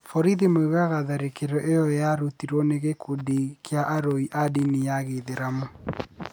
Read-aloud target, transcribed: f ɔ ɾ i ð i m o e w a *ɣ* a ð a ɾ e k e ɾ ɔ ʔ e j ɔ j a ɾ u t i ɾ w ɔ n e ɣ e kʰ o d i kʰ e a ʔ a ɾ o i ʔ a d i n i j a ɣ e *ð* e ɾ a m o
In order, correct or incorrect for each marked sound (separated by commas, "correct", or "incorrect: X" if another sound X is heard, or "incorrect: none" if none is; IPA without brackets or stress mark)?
correct, correct